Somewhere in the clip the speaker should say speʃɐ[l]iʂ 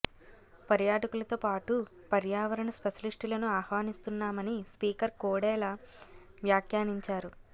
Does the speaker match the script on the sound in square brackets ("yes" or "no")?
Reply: yes